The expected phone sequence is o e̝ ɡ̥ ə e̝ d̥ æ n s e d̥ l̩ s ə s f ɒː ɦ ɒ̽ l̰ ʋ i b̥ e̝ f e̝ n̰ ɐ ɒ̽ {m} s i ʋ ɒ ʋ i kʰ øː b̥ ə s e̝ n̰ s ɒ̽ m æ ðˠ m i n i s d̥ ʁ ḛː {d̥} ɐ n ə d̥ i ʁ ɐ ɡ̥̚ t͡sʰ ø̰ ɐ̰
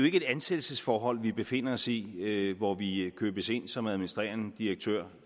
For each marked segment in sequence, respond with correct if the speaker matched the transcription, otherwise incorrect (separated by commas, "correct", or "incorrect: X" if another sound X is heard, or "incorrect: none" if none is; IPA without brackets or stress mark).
incorrect: none, incorrect: none